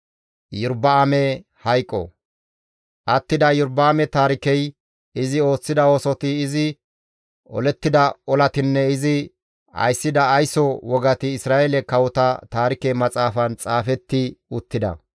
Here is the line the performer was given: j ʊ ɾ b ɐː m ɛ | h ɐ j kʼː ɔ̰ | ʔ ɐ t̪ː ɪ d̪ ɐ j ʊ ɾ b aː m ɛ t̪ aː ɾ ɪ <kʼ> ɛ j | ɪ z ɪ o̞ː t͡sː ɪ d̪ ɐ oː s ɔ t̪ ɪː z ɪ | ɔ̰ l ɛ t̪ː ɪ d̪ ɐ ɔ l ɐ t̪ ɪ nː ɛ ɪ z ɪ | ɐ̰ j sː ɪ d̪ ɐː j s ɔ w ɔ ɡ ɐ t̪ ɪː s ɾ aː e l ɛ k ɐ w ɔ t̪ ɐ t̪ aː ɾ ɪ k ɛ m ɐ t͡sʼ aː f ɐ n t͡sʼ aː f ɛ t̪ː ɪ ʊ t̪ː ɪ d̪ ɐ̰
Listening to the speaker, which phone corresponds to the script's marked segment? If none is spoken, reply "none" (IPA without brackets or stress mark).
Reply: k